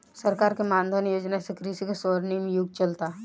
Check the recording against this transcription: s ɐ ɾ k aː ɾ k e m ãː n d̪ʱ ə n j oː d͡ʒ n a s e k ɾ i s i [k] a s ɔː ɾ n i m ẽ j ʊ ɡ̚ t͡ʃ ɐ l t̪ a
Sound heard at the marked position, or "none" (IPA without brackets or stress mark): k